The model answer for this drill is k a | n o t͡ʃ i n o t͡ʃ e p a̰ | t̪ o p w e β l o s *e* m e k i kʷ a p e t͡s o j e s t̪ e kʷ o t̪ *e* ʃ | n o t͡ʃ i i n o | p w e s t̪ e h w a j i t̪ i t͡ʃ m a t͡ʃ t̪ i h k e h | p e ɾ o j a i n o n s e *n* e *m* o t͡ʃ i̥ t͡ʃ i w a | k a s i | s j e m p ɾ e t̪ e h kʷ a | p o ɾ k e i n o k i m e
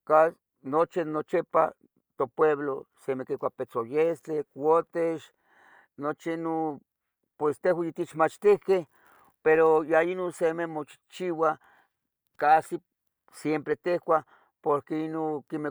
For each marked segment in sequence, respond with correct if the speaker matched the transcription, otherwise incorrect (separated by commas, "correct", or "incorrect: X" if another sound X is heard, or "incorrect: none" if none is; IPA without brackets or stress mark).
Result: correct, correct, incorrect: m, correct